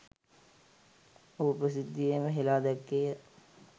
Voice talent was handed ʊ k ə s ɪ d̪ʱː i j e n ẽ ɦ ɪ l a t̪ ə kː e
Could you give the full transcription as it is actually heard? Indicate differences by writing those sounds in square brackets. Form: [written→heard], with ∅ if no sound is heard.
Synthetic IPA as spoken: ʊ [k→p] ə s ɪ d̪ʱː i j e [n→m] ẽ ɦ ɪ l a [t̪→d̪] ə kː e